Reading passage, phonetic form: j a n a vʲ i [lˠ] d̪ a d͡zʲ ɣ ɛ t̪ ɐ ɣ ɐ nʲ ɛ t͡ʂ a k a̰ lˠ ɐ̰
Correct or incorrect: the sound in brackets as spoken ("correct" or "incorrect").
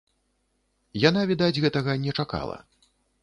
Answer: incorrect